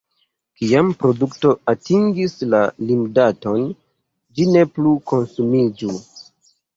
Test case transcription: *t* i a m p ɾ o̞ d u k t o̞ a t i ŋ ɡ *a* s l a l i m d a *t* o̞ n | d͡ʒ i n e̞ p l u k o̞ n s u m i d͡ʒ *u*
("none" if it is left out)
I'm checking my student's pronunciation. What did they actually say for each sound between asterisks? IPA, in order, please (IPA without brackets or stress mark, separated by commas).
k, i, t, u